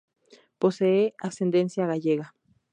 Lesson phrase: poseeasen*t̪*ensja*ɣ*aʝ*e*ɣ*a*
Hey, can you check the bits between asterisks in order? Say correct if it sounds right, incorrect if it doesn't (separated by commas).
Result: incorrect, correct, correct, correct